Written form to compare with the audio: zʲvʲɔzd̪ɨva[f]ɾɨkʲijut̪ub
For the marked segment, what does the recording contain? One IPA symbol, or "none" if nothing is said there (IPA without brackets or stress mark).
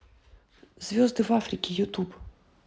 f